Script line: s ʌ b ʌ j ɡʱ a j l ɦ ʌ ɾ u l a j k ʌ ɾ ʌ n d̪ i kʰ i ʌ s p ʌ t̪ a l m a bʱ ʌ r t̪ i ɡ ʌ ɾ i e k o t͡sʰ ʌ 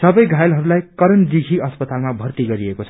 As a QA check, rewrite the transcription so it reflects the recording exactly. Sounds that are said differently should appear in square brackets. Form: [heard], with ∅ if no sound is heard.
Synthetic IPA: s ʌ b ʌ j ɡʱ a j l ɦ ʌ ɾ u l a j k ʌ ɾ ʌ n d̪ i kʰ i ʌ s p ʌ t̪ a l m a bʱ ʌ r t̪ i ɡ ʌ ɾ i e k o t͡sʰ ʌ